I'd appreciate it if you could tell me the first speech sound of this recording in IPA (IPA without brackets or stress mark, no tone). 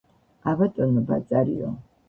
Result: a